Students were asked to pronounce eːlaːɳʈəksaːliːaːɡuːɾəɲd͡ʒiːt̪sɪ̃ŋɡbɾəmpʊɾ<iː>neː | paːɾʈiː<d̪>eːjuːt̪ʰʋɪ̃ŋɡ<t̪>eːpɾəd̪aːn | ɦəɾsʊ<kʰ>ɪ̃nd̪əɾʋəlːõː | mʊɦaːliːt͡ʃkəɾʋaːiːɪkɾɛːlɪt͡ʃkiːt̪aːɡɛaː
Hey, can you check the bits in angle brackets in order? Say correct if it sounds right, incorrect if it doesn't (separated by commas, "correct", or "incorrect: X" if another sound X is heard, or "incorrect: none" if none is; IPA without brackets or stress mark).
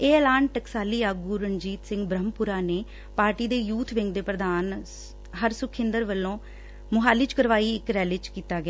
incorrect: aː, correct, incorrect: d̪, correct